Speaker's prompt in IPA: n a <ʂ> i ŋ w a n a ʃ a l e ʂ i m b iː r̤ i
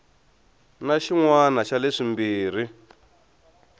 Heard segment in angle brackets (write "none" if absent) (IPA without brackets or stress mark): ʃ